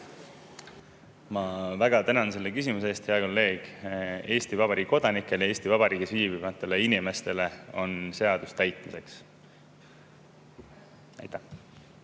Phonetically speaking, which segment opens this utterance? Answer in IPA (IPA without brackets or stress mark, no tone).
m